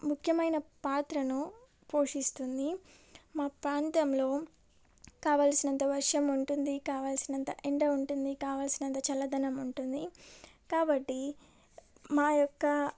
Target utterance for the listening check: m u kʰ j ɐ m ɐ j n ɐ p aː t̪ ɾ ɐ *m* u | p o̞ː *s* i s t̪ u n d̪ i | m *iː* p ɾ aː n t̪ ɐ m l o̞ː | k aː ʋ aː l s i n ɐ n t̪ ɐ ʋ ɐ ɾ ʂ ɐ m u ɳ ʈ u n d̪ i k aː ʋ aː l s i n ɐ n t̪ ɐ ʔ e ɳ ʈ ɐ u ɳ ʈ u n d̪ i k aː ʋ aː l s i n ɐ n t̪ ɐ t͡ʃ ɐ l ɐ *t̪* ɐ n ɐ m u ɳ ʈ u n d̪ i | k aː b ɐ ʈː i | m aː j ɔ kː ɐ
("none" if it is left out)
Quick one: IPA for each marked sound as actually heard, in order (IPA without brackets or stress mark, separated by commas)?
n, ʂ, aː, d̪